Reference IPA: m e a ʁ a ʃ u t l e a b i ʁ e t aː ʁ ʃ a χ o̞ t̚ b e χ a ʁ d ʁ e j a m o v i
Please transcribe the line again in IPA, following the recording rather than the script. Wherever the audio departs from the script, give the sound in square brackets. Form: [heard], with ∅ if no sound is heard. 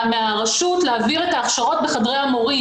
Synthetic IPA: m e a ʁ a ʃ u t l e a [v] i ʁ e t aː [χ] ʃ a [ʁ] o̞ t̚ b e χ a [∅] d ʁ e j a m o [ʁ] i

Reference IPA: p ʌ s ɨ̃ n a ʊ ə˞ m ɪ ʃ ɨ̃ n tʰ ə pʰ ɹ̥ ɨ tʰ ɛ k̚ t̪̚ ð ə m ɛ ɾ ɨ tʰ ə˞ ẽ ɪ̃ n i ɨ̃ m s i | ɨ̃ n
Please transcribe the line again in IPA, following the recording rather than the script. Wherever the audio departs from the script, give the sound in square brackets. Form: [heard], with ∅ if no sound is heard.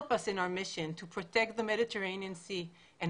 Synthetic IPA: p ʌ s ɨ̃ n a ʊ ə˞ m ɪ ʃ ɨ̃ n tʰ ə pʰ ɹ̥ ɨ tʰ ɛ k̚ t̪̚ ð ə m ɛ ɾ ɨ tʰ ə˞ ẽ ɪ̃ n i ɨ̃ [n] s i | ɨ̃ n

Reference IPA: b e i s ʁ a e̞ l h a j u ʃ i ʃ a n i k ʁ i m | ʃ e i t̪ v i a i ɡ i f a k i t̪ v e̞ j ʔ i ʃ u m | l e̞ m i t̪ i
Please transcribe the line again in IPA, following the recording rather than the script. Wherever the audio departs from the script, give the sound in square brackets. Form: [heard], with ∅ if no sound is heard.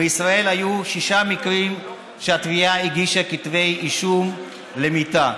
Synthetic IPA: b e i s ʁ a e̞ l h a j u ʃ i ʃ a [m] i k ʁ i m | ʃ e [a] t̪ v i a i ɡ i [ʃ] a k i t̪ v e̞ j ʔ i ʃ u m | l e̞ m i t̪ [a]

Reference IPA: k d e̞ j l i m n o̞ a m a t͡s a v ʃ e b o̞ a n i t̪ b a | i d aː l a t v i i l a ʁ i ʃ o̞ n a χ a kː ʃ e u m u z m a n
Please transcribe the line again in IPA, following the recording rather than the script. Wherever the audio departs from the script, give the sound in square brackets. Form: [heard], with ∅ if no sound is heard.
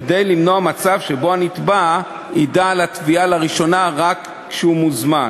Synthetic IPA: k d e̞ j l i m n o̞ a m a t͡s a v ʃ e b o̞ a n i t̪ b a | i d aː l a t v i [a] l a ʁ i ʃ o̞ n a [ʁ] a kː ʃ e u m u z m a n

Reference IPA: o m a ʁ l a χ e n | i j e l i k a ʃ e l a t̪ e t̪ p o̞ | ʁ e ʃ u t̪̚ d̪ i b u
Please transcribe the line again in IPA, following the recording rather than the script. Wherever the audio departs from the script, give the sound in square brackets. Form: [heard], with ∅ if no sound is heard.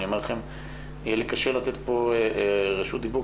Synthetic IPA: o m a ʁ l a χ e [m] | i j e l i k a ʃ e l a t̪ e t̪ p o̞ | ʁ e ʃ u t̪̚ d̪ i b u

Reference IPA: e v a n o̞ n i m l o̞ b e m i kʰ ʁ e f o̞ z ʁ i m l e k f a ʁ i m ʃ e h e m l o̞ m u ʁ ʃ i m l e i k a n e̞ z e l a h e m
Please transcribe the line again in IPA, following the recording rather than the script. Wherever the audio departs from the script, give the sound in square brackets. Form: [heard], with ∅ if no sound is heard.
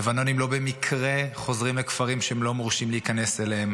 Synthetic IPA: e v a n o̞ n i m l o̞ b e m i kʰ ʁ e [χ] o̞ z ʁ i m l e k f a ʁ i m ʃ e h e m l o̞ m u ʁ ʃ i m l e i k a n e̞ [s] e l [e] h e m

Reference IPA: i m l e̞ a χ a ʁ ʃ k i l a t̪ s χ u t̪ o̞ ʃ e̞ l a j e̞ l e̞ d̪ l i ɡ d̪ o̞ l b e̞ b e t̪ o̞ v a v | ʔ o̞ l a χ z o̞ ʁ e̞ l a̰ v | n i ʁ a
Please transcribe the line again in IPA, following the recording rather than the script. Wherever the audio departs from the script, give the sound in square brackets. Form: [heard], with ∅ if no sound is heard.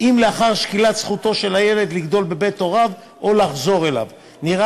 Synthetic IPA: i m l e̞ a χ a ʁ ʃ k i l a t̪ s χ u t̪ o̞ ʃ e̞ l a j e̞ l e̞ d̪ l i ɡ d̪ o̞ l b e̞ b e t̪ o̞ [ʁ] a v | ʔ o̞ l a χ z o̞ ʁ e̞ l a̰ v | n i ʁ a

